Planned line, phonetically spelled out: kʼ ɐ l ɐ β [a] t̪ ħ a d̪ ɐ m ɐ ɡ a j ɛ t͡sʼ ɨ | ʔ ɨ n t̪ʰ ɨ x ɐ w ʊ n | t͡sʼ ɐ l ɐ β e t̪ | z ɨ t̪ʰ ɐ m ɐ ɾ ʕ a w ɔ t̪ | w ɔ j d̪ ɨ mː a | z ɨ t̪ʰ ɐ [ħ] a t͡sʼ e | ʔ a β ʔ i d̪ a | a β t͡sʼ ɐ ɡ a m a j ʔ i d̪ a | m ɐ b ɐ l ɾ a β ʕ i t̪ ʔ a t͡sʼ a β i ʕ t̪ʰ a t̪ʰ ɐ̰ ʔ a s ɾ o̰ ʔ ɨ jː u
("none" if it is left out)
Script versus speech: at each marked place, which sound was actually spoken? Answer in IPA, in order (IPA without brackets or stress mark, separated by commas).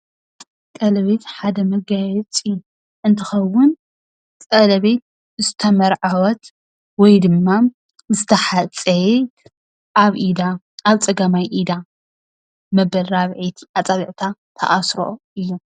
e, ħ